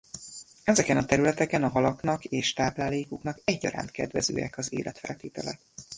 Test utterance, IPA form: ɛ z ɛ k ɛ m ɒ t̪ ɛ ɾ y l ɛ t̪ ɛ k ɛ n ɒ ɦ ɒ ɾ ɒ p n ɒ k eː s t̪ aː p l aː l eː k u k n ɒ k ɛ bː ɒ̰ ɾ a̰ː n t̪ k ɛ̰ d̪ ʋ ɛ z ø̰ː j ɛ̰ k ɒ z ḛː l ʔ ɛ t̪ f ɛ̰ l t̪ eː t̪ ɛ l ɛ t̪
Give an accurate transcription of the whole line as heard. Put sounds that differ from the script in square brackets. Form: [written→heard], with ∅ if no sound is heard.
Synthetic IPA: ɛ z ɛ k ɛ [m→n] ɒ t̪ ɛ ɾ y l ɛ t̪ ɛ k ɛ n ɒ ɦ ɒ [ɾ→l] ɒ [p→k] n ɒ k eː [s→ʃ] t̪ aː p l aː l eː k u k n ɒ k ɛ [bː→ɟː] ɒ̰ ɾ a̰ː n t̪ k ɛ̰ d̪ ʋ ɛ z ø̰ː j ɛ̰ k ɒ z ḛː l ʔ ɛ t̪ f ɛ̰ l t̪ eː t̪ ɛ l ɛ t̪